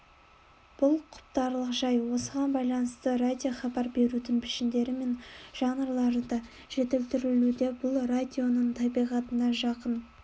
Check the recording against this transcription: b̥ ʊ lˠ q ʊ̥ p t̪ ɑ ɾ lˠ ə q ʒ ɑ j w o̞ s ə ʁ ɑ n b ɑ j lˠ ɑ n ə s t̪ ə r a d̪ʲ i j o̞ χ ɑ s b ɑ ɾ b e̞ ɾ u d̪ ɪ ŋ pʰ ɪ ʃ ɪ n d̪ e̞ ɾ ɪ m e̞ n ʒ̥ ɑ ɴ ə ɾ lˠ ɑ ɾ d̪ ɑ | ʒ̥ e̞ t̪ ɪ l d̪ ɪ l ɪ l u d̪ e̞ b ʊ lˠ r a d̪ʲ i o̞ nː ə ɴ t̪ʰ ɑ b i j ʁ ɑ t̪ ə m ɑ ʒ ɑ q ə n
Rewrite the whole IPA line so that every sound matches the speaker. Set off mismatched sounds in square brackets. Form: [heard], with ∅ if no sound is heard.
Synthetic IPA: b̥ ʊ lˠ [qʰ] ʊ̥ p t̪ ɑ ɾ lˠ ə q ʒ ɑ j w o̞ s ə ʁ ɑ n b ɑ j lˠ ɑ n ə s t̪ ə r a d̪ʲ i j o̞ χ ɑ [∅] b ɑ ɾ b e̞ ɾ u d̪ ɪ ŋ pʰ ɪ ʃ ɪ n d̪ e̞ ɾ ɪ m e̞ n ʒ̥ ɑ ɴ ə ɾ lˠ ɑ ɾ d̪ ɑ | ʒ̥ e̞ t̪ ɪ l [t̪] ɪ [ɾ] ɪ l u d̪ e̞ b ʊ lˠ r a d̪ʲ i o̞ [n] ə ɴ t̪ʰ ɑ b i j ʁ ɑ t̪ ə [n] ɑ ʒ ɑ q ə n